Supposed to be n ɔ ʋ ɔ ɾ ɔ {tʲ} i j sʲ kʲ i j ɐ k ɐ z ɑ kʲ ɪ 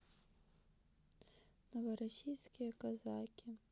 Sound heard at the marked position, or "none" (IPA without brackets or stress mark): sʲ